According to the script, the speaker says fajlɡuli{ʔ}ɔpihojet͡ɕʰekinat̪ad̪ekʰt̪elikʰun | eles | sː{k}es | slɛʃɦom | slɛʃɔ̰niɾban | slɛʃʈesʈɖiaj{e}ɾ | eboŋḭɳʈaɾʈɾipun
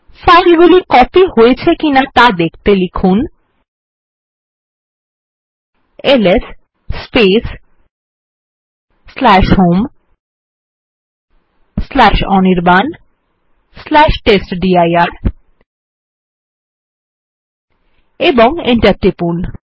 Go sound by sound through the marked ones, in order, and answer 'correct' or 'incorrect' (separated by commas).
incorrect, incorrect, incorrect